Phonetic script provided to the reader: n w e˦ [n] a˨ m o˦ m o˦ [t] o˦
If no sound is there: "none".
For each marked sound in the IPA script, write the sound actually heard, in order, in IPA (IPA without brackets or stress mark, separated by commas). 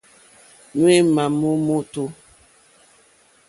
m, t